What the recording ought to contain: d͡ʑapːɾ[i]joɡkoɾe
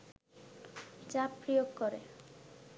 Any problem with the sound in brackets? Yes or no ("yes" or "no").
no